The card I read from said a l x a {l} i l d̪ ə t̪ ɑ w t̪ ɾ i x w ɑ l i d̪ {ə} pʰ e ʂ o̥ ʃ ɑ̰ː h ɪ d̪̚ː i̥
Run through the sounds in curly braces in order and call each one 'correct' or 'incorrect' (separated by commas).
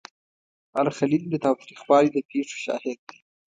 correct, correct